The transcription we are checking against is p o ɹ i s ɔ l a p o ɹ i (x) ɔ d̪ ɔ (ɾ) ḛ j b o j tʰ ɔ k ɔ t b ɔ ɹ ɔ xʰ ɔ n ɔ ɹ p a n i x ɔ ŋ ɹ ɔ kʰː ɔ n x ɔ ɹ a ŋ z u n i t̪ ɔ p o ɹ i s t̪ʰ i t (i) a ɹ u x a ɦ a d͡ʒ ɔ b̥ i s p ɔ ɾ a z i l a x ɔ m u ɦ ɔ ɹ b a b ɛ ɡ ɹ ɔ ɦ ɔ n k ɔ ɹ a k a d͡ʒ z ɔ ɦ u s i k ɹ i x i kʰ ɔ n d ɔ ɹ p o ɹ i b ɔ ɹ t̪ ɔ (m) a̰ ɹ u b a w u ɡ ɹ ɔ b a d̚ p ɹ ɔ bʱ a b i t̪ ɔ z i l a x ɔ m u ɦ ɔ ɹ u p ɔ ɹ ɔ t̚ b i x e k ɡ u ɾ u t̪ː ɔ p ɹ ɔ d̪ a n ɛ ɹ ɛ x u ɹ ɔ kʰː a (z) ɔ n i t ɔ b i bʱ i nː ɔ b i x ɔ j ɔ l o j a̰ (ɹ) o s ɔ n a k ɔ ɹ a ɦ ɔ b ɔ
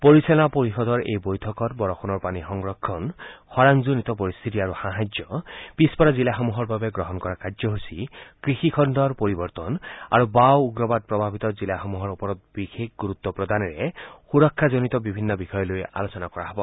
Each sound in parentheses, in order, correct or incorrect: correct, incorrect, correct, incorrect, correct, incorrect

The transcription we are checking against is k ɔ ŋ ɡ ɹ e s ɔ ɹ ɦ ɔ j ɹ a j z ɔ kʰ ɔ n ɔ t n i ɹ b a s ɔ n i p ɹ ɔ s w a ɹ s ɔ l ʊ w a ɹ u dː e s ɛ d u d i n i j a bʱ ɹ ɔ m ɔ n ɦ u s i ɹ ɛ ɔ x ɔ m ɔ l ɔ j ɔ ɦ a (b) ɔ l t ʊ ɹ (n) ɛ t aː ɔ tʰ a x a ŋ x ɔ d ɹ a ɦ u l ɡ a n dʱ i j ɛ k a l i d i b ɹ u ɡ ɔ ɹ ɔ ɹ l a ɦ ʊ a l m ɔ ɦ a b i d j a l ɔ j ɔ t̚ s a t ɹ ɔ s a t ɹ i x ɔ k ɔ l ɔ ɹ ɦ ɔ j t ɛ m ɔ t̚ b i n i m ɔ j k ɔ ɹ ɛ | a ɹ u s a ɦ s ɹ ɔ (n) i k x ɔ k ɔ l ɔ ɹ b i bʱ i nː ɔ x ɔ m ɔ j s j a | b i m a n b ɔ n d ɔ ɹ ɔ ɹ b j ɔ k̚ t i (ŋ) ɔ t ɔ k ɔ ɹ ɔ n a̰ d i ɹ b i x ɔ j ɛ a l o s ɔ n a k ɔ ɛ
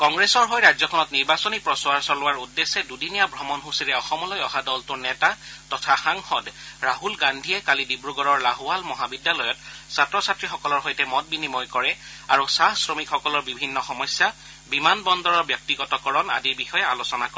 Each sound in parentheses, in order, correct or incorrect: incorrect, correct, incorrect, incorrect

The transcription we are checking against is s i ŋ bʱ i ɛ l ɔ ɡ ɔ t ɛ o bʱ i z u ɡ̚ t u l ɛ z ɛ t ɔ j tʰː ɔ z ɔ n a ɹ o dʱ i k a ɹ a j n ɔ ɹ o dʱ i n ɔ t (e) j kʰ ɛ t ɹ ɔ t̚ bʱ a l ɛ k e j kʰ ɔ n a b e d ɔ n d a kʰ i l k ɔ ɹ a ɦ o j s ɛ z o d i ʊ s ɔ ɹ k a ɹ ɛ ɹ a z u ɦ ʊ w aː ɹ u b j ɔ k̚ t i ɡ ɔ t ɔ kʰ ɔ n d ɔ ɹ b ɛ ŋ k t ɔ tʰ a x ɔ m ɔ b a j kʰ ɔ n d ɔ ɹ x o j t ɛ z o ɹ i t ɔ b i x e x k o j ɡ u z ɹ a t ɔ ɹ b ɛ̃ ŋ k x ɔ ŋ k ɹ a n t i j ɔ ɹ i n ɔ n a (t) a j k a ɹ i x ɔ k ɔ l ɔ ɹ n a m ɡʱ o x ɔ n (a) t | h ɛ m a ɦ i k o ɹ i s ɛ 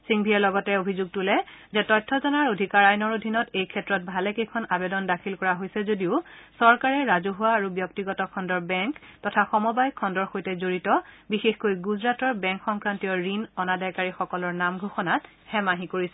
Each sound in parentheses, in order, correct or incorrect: correct, incorrect, correct

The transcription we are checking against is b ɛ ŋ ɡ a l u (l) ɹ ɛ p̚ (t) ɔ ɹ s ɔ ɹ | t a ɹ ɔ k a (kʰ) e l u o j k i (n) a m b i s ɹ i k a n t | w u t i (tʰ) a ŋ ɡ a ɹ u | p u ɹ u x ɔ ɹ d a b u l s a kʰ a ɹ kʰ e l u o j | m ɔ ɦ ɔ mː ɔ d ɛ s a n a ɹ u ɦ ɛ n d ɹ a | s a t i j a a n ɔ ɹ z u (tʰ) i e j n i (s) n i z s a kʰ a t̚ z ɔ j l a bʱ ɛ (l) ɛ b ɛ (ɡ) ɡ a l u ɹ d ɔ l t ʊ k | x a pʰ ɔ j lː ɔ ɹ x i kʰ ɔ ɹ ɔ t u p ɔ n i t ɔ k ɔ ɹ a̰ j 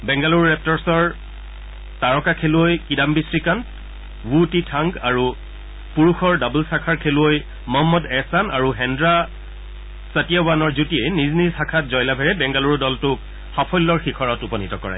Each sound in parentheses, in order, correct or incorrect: incorrect, correct, correct, incorrect, correct, incorrect, incorrect, incorrect, incorrect

